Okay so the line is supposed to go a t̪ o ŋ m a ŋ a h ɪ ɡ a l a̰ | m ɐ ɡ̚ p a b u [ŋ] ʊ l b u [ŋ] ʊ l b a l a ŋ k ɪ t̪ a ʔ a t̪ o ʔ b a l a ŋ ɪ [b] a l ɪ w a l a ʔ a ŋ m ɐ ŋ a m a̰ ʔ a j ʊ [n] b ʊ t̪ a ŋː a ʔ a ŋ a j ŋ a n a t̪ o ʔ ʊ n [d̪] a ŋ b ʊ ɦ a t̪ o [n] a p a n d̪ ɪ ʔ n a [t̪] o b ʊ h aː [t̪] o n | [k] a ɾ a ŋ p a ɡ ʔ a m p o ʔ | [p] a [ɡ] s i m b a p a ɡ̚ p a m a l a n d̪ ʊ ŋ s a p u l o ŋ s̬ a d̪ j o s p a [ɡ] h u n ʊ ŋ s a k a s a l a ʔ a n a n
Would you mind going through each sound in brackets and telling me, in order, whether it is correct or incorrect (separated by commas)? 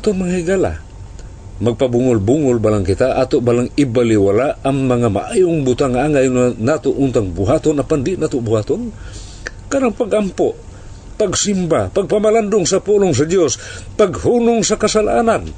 correct, correct, correct, incorrect, incorrect, correct, correct, correct, correct, correct, correct, correct